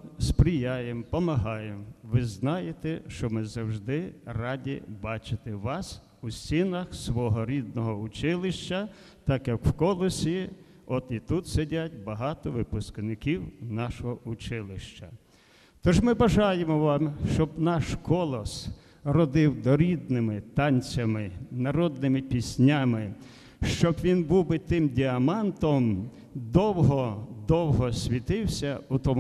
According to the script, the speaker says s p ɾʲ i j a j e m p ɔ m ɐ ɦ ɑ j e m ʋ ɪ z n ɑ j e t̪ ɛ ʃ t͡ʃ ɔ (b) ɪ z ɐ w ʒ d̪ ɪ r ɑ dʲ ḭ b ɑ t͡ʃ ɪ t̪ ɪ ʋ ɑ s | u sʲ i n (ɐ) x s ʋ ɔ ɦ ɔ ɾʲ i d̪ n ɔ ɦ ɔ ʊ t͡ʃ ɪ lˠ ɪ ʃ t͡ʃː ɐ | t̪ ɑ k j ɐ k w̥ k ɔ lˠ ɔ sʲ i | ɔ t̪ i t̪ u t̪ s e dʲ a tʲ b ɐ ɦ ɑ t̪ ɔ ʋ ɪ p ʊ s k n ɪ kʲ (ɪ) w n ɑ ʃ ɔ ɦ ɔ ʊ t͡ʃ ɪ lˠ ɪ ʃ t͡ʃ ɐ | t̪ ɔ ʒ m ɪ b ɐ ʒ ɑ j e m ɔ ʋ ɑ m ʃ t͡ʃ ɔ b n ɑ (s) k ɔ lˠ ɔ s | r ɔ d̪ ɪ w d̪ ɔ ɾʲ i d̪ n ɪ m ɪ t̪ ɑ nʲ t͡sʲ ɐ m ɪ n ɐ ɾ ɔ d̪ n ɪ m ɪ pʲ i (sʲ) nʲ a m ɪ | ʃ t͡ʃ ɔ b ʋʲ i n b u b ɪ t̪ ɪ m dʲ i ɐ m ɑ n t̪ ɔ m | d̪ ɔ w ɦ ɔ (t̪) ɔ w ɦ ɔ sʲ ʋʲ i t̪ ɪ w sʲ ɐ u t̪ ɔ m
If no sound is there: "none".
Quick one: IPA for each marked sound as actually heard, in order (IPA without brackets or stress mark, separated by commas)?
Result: m, ɐ, i, ʃ, sʲ, d̪